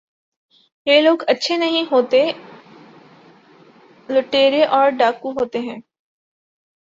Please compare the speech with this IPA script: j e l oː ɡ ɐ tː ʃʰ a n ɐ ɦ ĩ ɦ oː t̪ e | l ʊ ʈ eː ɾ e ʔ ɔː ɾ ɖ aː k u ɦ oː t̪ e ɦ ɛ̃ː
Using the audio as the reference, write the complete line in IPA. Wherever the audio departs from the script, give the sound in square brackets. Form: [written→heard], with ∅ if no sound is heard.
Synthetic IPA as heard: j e l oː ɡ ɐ tː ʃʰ [a→e] n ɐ ɦ ĩ ɦ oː t̪ e | l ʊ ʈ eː ɾ e ʔ ɔː ɾ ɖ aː k u ɦ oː t̪ e ɦ ɛ̃ː